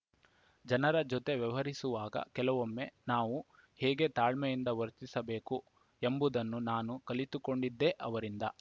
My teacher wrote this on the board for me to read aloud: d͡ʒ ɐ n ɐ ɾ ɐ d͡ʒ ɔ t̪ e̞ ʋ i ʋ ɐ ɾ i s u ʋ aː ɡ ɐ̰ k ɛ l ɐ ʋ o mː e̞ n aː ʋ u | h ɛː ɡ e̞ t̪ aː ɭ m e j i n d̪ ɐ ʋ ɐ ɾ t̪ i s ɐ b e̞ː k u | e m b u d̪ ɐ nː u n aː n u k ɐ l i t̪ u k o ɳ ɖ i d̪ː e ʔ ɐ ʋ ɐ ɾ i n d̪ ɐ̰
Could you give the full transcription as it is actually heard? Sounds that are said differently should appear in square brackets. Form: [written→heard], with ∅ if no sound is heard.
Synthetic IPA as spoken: d͡ʒ ɐ n ɐ ɾ ɐ d͡ʒ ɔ t̪ e̞ ʋ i ʋ ɐ ɾ i s u ʋ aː ɡ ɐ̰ k ɛ l ɐ ʋ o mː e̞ n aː ʋ u | h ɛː ɡ e̞ t̪ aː ɭ m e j i n d̪ ɐ ʋ ɐ ɾ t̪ i s ɐ b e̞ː k u | e m b u d̪ ɐ nː u n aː n u k ɐ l i t̪ u k o ɳ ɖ i d̪ː e ʔ ɐ ʋ ɐ ɾ i n d̪ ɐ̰